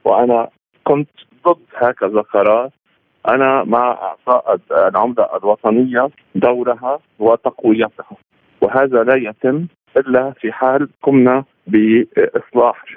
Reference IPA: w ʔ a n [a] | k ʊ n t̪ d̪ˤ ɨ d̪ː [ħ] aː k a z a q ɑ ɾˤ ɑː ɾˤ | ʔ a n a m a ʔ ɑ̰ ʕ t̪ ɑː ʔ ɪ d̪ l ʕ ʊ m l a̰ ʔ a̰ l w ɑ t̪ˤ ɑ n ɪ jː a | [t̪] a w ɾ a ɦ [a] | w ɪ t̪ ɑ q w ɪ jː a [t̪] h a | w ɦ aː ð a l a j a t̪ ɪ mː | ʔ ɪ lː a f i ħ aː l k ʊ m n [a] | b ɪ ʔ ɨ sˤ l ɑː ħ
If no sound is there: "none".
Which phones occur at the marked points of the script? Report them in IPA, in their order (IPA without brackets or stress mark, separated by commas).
a, h, d̪, a, t̪, a